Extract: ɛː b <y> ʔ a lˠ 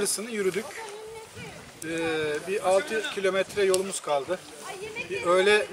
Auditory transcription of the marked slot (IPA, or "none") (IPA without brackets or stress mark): i